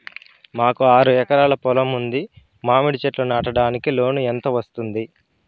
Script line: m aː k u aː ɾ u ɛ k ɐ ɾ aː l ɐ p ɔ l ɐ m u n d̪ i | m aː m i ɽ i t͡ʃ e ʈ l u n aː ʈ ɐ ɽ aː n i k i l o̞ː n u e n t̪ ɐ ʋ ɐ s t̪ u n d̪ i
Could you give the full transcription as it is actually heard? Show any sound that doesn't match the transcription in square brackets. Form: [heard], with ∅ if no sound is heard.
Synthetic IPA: m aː k u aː ɾ u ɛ k ɐ ɾ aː l ɐ p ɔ l ɐ m u n d̪ i | m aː m i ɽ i t͡ʃ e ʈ l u n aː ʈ ɐ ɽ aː n i k i l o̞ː n u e n t̪ ɐ ʋ ɐ s t̪ u n d̪ i

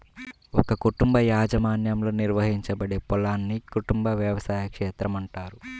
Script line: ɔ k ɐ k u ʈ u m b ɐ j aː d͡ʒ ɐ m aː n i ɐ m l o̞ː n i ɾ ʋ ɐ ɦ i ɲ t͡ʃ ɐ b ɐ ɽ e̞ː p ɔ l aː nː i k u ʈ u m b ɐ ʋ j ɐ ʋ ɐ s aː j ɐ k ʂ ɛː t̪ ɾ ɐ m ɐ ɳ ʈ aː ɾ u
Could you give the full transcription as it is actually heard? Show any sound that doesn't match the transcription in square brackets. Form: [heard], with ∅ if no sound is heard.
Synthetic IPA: ɔ k ɐ k u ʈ u m b ɐ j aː d͡ʒ ɐ m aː n [j] ɐ m l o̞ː n i ɾ ʋ ɐ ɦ i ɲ t͡ʃ ɐ b ɐ ɽ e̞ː p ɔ l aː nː i k u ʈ u m b ɐ ʋ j ɐ ʋ ɐ s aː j ɐ k ʂ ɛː t̪ ɾ ɐ m ɐ ɳ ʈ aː ɾ u

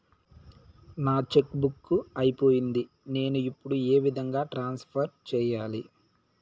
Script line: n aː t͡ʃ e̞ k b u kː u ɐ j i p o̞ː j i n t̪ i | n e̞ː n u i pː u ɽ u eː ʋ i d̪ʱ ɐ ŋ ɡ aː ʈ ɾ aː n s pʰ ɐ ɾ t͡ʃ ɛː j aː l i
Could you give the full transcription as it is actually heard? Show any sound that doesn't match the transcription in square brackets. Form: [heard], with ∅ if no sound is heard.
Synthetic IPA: n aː t͡ʃ e̞ k b u kː u ɐ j i p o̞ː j i n [d̪] i | n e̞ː n u i pː u ɽ u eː ʋ i d̪ʱ ɐ ŋ ɡ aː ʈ ɾ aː n s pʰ ɐ ɾ t͡ʃ ɛː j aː l i

